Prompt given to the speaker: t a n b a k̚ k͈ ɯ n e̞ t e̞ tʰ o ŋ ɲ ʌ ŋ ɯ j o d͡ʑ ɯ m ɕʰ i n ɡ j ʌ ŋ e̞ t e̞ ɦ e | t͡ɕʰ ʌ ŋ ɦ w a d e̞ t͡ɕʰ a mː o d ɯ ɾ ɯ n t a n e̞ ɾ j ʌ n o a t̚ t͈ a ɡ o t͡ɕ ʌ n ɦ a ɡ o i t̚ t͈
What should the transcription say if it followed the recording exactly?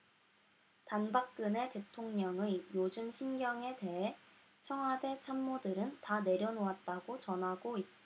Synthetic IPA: t a n b a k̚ k͈ ɯ n e̞ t e̞ tʰ o ŋ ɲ ʌ ŋ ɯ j o d͡ʑ ɯ m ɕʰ i n ɡ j ʌ ŋ e̞ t e̞ ɦ e | t͡ɕʰ ʌ ŋ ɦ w a d e̞ t͡ɕʰ a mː o d ɯ ɾ ɯ n t a n e̞ ɾ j ʌ n o a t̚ t͈ a ɡ o t͡ɕ ʌ n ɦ a ɡ o i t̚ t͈